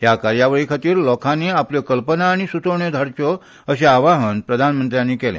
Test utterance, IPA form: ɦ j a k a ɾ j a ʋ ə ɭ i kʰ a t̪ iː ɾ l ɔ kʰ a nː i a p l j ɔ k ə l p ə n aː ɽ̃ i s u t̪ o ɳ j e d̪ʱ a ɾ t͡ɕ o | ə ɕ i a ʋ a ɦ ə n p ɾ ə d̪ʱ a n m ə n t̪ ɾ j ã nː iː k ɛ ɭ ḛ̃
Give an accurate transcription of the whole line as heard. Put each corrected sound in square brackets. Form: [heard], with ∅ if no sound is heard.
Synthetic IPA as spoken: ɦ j a k a ɾ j a ʋ ə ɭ i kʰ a t̪ iː ɾ l ɔ kʰ a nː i a p l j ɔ k ə l p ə n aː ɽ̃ i s u t̪ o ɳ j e d̪ʱ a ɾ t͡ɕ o | ə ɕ [e] a ʋ a ɦ ə n p ɾ ə d̪ʱ a n m ə n t̪ ɾ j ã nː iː k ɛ [l] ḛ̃